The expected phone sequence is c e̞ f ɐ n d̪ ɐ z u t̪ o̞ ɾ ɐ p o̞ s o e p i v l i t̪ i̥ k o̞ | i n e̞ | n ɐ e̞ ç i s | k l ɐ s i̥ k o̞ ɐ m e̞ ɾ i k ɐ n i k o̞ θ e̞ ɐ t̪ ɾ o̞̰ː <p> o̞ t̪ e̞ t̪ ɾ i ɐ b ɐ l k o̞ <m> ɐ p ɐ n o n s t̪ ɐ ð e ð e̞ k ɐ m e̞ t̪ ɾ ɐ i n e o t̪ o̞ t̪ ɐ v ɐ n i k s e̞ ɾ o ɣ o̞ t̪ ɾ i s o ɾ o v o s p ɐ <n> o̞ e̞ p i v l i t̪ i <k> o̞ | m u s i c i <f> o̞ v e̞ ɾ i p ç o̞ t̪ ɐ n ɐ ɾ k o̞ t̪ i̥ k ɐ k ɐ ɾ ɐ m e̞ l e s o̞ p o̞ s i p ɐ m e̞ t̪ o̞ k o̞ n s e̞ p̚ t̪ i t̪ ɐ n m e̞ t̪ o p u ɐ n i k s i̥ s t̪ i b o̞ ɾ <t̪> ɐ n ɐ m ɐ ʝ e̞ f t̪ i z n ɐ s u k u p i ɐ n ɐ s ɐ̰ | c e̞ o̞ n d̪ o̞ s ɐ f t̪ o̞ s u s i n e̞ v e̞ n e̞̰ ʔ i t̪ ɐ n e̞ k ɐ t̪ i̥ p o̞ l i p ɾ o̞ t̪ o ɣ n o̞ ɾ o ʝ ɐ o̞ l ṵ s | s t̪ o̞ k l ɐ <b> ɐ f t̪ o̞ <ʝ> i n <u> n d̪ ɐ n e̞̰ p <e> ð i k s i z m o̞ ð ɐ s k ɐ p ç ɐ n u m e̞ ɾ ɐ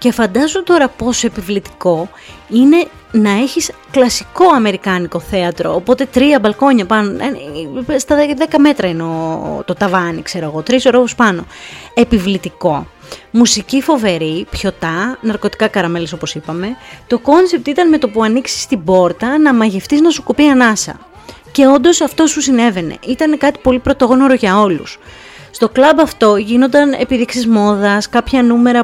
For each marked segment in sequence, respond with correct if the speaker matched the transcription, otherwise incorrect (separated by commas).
correct, incorrect, correct, correct, correct, correct, correct, correct, incorrect, incorrect